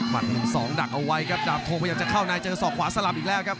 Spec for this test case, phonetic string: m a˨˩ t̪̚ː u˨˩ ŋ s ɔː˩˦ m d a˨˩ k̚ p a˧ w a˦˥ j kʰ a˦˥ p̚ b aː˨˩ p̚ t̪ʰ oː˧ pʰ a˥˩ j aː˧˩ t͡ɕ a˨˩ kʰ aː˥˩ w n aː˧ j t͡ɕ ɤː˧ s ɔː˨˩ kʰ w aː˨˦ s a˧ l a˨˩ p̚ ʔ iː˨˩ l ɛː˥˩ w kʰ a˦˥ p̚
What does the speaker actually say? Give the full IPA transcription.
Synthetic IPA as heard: m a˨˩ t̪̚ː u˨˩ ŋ s ɔː˩˦ ŋ d a˨˩ k̚ ʔ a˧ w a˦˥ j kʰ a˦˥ p̚ d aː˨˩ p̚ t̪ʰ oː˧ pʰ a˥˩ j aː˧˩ t͡ɕ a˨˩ kʰ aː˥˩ w n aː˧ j t͡ɕ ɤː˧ s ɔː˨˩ kʰ w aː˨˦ s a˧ l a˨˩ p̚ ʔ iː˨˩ l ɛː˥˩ w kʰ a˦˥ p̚